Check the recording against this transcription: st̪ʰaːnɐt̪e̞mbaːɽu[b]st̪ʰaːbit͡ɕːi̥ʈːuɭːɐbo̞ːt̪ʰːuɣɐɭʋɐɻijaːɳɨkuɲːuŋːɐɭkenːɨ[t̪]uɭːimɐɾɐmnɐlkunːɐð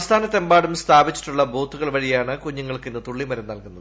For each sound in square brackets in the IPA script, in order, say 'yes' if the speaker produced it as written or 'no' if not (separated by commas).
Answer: no, yes